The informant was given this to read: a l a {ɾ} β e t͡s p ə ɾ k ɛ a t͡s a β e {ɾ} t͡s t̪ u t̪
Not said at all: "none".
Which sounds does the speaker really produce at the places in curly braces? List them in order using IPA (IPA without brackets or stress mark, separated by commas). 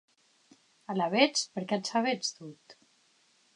none, none